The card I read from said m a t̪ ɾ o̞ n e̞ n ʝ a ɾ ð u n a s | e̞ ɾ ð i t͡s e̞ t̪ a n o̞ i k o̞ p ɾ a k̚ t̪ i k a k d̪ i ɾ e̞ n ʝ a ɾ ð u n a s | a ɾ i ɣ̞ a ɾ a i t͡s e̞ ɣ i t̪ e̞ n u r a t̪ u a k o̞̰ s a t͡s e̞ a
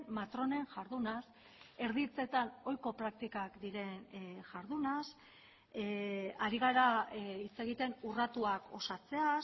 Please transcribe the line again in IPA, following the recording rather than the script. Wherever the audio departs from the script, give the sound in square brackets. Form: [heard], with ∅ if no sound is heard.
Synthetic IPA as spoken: m a t̪ ɾ o̞ n e̞ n ʝ a ɾ ð u n a s | e̞ ɾ ð i t͡s e̞ t̪ a n o̞ [j] k o̞ p ɾ a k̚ t̪ i k a k d̪ i ɾ e̞ n ʝ a ɾ ð u n a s | a ɾ i ɣ̞ a ɾ a i t͡s e̞ ɣ i t̪ e̞ n u r a t̪ u a k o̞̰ s a t͡s e̞ a